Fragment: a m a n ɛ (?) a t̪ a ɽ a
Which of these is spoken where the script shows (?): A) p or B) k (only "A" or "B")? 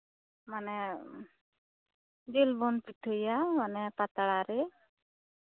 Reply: A